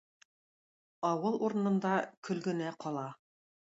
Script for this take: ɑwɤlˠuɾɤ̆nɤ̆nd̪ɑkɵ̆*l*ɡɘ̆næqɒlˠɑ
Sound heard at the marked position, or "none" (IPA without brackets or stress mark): l